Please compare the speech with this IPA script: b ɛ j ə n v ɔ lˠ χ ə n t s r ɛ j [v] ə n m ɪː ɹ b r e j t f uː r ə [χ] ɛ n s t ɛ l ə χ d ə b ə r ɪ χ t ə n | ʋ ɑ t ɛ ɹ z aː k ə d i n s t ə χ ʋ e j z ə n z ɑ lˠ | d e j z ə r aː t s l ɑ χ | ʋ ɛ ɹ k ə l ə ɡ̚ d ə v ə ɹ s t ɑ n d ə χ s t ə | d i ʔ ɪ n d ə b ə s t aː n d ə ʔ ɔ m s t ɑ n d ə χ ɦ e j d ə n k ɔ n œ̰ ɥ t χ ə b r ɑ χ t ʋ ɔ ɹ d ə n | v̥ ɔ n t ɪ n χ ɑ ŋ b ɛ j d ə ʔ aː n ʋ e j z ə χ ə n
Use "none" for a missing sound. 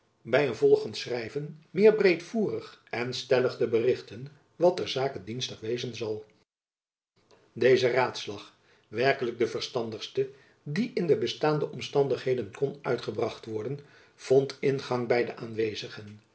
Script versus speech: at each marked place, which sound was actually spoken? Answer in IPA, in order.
v, χ

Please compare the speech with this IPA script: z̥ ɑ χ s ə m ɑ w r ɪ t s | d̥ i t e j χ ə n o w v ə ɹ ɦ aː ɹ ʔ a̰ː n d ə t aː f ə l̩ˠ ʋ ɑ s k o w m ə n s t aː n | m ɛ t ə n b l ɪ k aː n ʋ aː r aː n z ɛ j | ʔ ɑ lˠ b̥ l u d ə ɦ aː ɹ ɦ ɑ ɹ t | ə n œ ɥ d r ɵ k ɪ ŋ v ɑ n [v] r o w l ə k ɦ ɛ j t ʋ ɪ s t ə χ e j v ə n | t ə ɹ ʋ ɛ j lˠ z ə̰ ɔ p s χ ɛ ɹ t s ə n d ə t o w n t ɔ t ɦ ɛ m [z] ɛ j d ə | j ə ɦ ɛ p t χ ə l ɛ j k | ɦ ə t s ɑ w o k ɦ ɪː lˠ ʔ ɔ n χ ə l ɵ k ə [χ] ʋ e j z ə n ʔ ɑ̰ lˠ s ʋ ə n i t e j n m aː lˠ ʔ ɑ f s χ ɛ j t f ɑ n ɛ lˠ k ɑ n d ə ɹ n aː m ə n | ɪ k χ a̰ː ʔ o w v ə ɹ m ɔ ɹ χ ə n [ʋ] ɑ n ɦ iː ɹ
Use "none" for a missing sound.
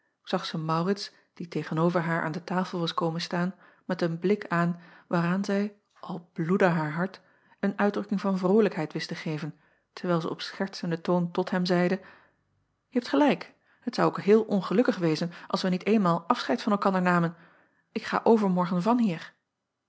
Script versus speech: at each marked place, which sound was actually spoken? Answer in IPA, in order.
v, z, χ, v

